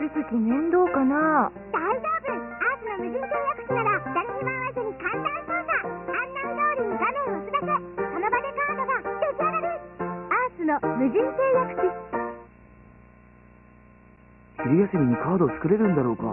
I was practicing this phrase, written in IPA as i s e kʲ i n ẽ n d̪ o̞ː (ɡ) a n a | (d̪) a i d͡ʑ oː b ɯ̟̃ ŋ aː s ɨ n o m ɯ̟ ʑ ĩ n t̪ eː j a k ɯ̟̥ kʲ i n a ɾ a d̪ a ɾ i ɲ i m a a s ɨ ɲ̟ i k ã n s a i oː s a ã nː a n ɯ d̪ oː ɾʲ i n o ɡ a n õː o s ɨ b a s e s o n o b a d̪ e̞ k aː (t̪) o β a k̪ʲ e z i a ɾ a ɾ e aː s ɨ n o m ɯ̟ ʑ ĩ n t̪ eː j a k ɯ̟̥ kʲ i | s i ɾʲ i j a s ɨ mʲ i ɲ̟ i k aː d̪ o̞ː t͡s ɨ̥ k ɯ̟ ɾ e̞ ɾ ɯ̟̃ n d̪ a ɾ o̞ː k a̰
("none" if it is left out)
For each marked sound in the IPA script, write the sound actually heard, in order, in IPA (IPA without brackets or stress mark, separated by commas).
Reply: k, d̪, d̪